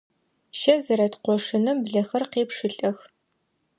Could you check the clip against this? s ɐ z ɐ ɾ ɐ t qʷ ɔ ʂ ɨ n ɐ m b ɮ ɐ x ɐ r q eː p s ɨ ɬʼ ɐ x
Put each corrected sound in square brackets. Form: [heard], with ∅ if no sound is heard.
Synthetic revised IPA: [ʃ] ɐ z ɐ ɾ ɐ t qʷ ɔ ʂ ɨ n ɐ m b ɮ ɐ x ɐ r q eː p [ʂ] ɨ ɬʼ ɐ x